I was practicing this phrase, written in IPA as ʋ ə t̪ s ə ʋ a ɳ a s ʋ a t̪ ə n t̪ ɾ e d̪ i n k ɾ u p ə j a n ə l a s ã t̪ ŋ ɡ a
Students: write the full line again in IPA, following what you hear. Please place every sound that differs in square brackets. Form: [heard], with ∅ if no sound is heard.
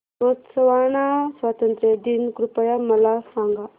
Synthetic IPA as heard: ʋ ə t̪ s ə ʋ a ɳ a s ʋ a t̪ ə n t̪ ɾ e d̪ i n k ɾ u p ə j a [m] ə l a s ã [∅] ŋ ɡ a